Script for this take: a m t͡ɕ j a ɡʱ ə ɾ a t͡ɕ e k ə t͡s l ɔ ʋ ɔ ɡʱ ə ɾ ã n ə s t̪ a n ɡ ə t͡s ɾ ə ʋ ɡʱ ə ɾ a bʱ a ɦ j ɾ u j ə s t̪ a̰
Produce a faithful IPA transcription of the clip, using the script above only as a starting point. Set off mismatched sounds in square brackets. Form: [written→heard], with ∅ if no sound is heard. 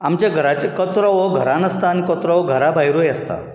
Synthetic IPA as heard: a m t͡ɕ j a ɡʱ ə ɾ a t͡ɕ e k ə t͡s [l→ɾ] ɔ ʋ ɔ ɡʱ ə ɾ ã n ə s t̪ a n [ɡ→k] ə t͡s ɾ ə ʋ ɡʱ ə ɾ a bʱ a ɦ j ɾ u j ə s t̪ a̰